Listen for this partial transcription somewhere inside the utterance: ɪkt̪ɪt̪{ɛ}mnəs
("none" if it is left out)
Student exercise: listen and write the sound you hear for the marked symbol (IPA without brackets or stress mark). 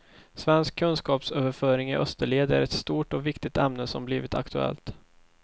ɛ